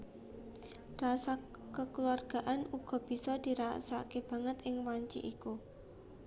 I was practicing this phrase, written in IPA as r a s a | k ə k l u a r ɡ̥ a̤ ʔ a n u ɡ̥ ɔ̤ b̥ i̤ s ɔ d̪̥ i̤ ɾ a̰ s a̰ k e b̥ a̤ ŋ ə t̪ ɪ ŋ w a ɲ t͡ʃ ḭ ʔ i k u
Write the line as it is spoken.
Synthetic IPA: r a s a | k ə k l u a r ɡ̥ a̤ ʔ a n u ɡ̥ ɔ̤ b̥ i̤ s ɔ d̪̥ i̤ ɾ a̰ s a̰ k e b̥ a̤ ŋ ə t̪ ɪ ŋ w a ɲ t͡ʃ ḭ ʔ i k u